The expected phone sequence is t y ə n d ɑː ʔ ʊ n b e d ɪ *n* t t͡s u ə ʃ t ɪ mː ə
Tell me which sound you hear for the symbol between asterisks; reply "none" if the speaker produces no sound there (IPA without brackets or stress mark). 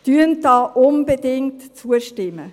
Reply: ŋ